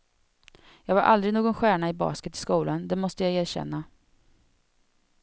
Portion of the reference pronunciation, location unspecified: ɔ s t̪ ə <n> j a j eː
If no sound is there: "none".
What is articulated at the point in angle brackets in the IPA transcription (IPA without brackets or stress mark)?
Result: none